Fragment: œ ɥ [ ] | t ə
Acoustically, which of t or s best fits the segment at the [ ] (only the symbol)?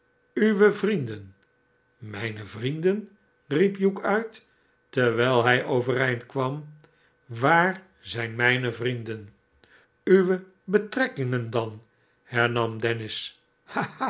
t